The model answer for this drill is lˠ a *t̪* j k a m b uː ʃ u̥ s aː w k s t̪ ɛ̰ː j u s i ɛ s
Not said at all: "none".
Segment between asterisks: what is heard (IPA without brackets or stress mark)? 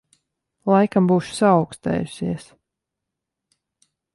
none